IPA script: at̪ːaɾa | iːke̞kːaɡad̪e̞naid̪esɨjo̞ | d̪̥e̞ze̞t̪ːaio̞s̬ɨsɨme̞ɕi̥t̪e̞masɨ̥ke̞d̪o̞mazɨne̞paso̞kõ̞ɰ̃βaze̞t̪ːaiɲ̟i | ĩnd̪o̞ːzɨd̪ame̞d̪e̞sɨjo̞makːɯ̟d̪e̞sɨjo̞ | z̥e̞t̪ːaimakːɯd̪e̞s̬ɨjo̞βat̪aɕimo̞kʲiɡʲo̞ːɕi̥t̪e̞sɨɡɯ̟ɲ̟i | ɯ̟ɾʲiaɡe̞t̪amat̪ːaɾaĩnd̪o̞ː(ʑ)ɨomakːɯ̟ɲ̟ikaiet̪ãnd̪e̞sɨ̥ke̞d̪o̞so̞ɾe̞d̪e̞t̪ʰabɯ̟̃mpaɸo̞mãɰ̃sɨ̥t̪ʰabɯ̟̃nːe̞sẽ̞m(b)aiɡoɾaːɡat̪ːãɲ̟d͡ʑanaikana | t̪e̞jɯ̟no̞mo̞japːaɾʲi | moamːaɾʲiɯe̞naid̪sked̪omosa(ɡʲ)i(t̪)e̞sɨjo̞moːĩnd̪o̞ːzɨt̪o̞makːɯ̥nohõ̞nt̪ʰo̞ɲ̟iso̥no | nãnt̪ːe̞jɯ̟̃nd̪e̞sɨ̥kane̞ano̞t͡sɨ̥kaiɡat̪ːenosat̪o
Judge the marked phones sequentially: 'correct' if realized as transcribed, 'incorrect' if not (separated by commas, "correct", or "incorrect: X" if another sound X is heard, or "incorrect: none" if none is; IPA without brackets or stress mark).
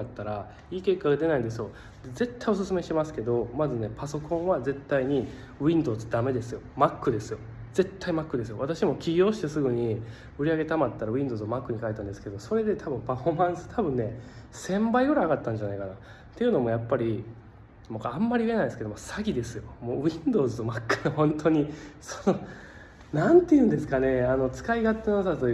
incorrect: z, correct, correct, incorrect: d̪